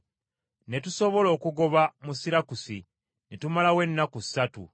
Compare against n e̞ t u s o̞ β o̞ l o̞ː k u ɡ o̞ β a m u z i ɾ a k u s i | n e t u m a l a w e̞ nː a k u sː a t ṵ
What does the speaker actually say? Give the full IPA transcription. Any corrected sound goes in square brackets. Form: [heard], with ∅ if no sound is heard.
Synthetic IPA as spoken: n e̞ t u s o̞ β o̞ l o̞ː k u ɡ o̞ β a m u [s] i ɾ a k u s i | n e t u m a l a w e̞ nː a k u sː a t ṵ